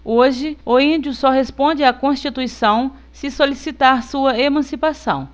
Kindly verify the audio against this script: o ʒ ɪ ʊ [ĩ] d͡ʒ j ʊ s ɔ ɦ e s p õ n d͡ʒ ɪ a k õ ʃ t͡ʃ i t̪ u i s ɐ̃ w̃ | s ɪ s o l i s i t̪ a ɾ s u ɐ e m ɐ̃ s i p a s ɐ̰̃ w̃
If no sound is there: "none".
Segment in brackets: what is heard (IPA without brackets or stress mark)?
ĩ